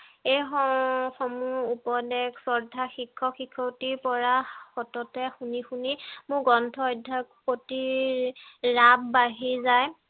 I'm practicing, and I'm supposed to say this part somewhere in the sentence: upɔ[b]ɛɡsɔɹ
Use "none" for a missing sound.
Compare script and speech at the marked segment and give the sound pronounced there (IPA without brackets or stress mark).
d